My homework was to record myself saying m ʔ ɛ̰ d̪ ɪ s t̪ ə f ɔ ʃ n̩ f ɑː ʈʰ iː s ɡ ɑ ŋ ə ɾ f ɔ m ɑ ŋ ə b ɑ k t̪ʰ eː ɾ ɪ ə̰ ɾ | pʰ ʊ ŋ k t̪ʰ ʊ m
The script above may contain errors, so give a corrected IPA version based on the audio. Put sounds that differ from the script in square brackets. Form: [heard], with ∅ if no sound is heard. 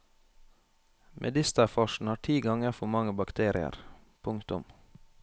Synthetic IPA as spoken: m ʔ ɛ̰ d̪ ɪ s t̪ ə f ɔ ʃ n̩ [h] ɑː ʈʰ iː [∅] ɡ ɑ ŋ ə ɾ f ɔ m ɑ ŋ ə b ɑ k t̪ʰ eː ɾ ɪ ə̰ ɾ | pʰ ʊ ŋ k [t̪] ʊ m